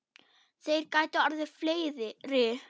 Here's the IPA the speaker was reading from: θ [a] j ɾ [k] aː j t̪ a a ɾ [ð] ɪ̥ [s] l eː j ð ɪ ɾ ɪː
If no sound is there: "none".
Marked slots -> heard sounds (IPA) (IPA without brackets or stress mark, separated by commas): e, k, ð, f